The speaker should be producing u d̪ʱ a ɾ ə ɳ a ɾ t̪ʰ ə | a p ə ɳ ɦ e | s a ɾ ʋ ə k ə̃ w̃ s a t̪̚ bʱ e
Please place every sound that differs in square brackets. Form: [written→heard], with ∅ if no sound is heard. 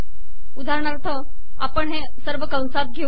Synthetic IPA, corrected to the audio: u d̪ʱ a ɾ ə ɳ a ɾ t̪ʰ ə | a p ə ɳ ɦ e | s [a→ə] ɾ ʋ ə k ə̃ w̃ s a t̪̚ [bʱ→ɡʱ] e